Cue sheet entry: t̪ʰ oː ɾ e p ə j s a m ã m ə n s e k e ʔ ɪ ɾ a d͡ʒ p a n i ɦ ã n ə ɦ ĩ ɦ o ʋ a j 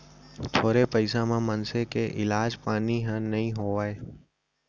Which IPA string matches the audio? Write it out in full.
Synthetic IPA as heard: t̪ʰ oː ɾ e p ə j s a m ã m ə n s e k e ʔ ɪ l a d͡ʒ p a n i ɦ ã n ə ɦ ĩ ɦ o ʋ a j